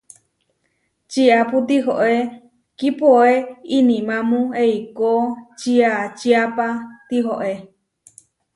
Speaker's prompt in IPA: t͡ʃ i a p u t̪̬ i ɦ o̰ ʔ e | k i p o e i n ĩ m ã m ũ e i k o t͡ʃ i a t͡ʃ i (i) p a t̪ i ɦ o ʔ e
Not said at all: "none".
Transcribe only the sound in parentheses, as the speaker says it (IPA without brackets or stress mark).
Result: a